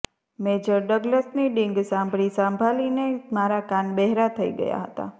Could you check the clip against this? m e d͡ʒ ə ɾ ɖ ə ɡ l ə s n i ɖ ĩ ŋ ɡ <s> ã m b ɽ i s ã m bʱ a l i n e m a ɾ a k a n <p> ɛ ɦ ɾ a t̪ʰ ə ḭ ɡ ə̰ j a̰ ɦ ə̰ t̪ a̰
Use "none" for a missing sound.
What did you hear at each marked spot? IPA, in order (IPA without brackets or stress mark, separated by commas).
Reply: s, b